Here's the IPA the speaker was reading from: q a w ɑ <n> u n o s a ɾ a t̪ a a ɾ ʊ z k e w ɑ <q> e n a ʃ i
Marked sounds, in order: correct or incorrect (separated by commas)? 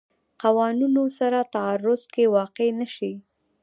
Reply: correct, correct